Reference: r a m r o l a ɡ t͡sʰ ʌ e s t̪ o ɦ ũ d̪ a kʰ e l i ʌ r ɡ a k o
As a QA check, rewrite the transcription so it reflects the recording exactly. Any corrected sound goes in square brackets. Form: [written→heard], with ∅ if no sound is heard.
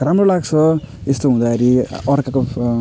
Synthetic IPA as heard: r a m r o l a ɡ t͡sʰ ʌ e s t̪ o ɦ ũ d̪ a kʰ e [l→ɾ] i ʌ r [ɡ→k] a k o